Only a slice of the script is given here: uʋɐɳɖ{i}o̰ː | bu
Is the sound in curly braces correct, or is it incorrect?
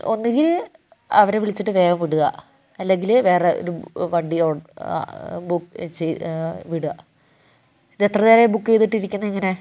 correct